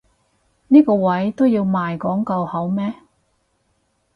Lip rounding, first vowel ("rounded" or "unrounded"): unrounded